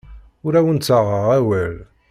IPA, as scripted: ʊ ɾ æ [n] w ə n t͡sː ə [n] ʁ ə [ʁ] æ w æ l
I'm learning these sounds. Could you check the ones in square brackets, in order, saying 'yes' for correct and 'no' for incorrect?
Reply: no, no, yes

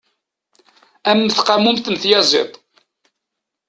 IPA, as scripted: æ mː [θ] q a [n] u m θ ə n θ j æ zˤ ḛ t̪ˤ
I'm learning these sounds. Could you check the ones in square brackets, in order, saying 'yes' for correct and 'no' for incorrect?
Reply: yes, no

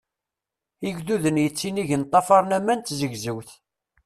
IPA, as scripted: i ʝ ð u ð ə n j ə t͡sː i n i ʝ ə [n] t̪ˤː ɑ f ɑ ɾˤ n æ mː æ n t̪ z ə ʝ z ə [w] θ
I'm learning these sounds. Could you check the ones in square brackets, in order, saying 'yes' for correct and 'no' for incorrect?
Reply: yes, yes

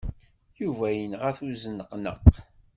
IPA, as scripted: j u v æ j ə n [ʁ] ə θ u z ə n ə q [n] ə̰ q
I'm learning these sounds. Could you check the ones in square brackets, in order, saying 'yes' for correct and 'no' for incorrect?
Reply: yes, yes

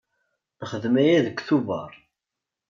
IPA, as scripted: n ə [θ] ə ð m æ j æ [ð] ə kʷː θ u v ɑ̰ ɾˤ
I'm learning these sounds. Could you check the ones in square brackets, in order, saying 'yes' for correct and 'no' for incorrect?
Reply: no, yes

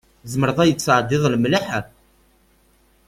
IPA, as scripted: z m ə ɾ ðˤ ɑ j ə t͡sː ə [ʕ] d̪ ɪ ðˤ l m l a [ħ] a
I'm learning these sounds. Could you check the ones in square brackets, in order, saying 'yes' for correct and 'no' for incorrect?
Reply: yes, yes

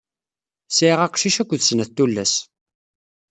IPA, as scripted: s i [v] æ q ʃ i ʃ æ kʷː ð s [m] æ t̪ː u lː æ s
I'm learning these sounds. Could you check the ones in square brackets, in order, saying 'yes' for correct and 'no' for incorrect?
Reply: no, no

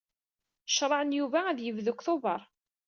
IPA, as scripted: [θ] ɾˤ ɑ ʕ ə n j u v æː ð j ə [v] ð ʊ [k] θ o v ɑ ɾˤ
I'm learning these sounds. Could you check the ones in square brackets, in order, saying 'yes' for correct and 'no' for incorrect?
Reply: no, yes, yes

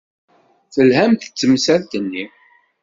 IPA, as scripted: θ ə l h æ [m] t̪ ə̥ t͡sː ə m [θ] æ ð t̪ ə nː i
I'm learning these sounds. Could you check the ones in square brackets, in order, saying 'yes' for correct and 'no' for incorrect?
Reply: yes, no

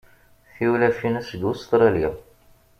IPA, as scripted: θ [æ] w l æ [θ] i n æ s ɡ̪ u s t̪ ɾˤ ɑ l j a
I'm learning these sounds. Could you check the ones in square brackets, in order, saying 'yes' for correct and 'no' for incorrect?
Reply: no, no

